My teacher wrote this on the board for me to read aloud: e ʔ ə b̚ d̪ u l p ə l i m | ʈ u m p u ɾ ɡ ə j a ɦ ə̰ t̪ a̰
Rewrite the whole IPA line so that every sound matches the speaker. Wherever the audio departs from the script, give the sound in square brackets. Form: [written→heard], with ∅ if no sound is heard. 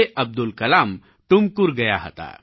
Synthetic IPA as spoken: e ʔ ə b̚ d̪ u l [p→k] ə l [i→a] m | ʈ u m [p→k] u ɾ ɡ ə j a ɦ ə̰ t̪ a̰